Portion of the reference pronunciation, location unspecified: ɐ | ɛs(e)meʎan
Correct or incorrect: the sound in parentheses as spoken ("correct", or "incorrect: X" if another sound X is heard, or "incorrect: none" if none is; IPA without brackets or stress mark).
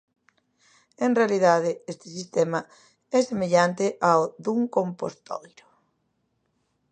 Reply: correct